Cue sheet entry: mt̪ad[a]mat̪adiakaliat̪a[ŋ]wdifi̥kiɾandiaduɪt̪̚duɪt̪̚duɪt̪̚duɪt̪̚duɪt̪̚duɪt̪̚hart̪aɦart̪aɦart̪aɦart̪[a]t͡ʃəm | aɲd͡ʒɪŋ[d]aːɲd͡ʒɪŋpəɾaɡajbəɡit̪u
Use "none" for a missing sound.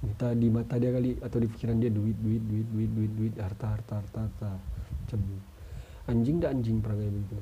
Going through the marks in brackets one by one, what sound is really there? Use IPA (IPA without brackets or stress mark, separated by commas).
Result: i, none, a, d